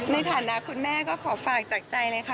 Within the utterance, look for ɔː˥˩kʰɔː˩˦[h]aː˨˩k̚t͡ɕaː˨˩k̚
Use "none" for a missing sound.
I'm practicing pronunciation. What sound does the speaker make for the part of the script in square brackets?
f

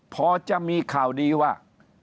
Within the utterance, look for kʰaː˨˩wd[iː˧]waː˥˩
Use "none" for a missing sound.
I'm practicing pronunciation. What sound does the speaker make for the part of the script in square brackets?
iː˧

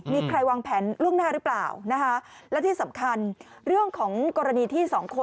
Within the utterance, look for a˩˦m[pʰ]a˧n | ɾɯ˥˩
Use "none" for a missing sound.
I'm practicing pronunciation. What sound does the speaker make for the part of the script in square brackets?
kʰ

